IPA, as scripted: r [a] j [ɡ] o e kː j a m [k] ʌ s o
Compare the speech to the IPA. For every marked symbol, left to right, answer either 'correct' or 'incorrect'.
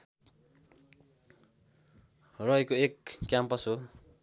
incorrect: ʌ, incorrect: k, incorrect: p

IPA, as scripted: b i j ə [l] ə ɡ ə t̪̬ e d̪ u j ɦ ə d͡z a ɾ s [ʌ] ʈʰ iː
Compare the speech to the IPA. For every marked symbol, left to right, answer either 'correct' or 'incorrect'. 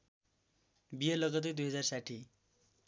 correct, incorrect: a

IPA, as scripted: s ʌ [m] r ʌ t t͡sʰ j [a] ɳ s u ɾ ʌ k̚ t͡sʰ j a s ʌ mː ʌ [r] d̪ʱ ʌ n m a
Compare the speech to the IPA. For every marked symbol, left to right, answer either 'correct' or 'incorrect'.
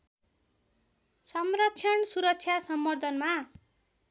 correct, incorrect: ʌ, correct

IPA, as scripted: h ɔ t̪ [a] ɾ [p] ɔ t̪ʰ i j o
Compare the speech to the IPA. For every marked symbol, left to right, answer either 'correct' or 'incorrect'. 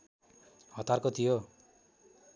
correct, incorrect: k

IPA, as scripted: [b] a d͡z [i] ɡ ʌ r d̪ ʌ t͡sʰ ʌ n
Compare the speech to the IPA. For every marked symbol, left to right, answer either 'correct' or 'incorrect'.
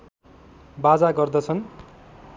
correct, incorrect: a

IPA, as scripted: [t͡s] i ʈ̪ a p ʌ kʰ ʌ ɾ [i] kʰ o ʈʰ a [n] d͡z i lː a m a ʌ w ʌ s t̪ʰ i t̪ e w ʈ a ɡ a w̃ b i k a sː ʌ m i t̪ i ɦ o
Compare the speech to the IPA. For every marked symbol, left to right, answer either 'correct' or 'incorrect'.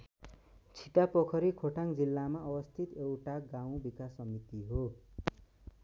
incorrect: t͡sʰ, correct, incorrect: ŋ

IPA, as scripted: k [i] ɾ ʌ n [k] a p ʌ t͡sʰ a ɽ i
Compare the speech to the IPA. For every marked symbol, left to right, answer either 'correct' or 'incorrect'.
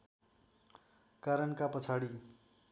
incorrect: a, correct

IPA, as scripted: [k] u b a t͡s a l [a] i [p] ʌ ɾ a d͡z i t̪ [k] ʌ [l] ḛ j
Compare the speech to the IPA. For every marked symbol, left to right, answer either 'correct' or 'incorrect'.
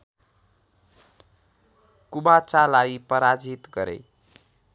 correct, correct, correct, incorrect: ɡ, incorrect: ɾ

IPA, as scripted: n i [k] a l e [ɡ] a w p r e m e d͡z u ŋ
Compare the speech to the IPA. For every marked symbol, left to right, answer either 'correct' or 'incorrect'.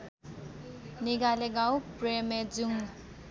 incorrect: ɡ, correct

